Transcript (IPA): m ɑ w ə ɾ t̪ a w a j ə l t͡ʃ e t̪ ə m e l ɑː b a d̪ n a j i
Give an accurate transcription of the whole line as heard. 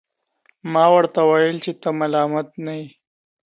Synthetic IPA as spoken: m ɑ w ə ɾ t̪ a w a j ə l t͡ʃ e t̪ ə m a l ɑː m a t̪ n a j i